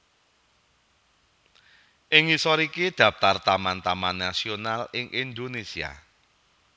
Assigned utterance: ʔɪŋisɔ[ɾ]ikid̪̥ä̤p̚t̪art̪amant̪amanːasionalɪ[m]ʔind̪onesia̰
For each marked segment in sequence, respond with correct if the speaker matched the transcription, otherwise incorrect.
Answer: correct, incorrect: ŋ

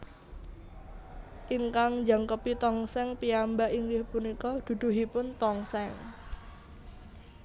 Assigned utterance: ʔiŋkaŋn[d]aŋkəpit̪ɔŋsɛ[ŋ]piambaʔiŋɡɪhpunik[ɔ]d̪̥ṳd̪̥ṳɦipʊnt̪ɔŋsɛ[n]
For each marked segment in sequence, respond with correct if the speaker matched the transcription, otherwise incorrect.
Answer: incorrect: d͡ʒ, correct, correct, incorrect: ŋ

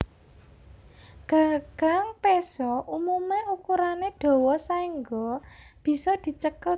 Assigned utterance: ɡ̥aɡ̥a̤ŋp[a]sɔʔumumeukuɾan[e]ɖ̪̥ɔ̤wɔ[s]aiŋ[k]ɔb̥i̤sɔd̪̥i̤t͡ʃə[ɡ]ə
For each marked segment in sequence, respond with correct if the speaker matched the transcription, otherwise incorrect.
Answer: incorrect: e, correct, correct, incorrect: ɡ, incorrect: k

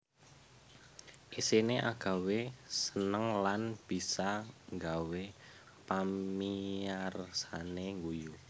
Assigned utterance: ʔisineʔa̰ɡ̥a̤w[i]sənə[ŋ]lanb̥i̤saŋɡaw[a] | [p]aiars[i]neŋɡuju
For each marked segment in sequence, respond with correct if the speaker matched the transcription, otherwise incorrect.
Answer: incorrect: e, correct, incorrect: e, correct, incorrect: a

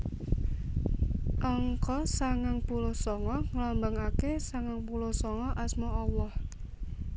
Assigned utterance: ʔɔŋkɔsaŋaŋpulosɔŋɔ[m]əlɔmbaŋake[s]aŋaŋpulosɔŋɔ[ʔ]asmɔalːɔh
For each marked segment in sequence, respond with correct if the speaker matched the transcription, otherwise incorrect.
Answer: incorrect: ŋ, correct, correct

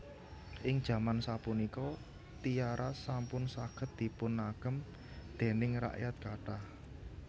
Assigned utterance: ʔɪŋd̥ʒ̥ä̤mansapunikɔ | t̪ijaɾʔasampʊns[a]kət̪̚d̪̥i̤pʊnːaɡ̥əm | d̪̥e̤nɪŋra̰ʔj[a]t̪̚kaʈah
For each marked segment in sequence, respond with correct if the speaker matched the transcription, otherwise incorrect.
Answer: correct, correct

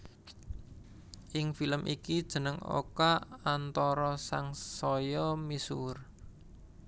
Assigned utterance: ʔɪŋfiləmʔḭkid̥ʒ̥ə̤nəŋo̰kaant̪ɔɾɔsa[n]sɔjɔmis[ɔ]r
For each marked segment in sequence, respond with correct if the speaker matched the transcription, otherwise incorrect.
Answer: incorrect: ŋ, incorrect: u

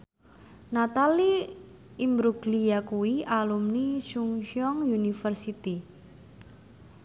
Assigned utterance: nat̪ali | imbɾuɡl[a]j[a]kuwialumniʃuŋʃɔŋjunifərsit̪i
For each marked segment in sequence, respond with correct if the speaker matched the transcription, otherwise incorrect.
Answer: incorrect: i, correct

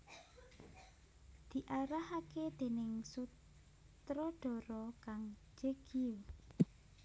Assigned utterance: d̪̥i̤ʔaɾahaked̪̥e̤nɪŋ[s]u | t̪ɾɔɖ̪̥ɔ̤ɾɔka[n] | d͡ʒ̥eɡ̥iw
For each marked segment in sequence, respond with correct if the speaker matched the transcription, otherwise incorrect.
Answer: correct, incorrect: ŋ

